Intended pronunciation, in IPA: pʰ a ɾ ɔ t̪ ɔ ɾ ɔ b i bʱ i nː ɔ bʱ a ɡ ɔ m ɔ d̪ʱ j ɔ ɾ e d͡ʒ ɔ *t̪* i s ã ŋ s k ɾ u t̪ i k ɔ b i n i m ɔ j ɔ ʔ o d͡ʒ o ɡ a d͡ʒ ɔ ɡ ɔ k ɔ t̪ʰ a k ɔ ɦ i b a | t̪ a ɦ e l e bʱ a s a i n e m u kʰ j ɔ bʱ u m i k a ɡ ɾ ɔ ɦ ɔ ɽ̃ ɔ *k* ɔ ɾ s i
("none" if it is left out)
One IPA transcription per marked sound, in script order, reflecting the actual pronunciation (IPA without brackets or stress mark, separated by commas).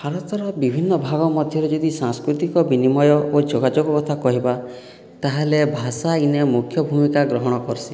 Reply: d̪, k